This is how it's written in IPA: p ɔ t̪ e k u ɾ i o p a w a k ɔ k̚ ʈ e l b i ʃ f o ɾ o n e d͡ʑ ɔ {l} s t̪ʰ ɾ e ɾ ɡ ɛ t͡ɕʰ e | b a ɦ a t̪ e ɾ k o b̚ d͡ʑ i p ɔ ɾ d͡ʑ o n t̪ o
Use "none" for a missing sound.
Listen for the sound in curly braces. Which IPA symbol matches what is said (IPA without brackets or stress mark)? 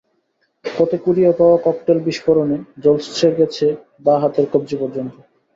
l